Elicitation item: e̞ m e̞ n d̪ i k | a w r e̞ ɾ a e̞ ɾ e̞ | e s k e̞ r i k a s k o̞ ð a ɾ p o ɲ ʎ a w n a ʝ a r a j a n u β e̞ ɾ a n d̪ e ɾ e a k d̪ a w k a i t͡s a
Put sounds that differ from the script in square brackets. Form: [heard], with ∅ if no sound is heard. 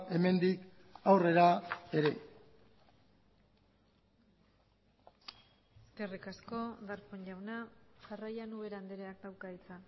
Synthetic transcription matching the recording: e̞ m e̞ n d̪ i k | a w r e̞ ɾ a e̞ ɾ e̞ | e s k e̞ r i k a s k o̞ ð a ɾ p o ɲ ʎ a w n a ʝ a r a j a n u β e̞ ɾ a n d̪ e ɾ e a k d̪ a w k a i t͡s a